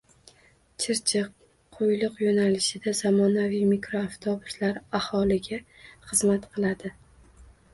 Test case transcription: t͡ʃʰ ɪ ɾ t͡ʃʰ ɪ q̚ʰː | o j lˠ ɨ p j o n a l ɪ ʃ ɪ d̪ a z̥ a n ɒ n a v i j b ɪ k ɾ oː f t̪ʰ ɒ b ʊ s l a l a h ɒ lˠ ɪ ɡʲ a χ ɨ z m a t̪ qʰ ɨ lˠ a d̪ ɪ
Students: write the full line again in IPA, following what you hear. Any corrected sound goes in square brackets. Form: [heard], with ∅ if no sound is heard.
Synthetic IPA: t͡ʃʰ ɪ ɾ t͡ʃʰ ɪ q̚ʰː | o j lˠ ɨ [q] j o n a l ɪ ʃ ɪ d̪ a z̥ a [m] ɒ n a v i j [m] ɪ k ɾ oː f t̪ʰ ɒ b ʊ s l a [ɾ] a h ɒ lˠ ɪ ɡʲ a χ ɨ z m a t̪ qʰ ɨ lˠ a d̪ ɪ